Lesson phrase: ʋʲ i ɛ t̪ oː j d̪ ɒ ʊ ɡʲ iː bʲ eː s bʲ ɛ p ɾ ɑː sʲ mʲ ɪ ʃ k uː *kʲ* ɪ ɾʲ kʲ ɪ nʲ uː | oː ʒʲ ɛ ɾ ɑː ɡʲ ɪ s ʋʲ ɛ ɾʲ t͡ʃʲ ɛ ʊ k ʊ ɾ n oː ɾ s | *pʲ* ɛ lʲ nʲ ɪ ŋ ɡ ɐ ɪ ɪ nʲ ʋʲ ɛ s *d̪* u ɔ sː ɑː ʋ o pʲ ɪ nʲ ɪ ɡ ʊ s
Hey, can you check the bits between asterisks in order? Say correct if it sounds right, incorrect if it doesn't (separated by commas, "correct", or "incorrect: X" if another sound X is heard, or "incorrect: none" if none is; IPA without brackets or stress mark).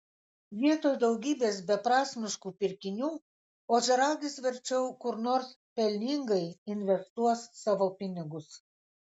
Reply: incorrect: pʲ, correct, incorrect: t̪